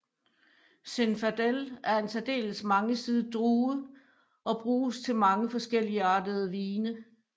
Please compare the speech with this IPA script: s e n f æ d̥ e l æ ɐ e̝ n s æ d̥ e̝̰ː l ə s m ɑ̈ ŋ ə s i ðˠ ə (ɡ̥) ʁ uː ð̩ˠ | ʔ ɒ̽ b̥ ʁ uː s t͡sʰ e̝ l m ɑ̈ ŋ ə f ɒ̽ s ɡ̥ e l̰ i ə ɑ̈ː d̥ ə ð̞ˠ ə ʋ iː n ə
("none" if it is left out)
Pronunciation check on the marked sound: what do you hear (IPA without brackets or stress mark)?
d̥